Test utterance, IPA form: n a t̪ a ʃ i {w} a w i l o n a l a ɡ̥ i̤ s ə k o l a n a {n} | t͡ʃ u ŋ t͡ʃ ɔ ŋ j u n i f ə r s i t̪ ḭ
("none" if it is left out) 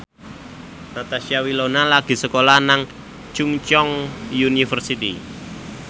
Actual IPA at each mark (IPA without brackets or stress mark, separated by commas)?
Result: none, ŋ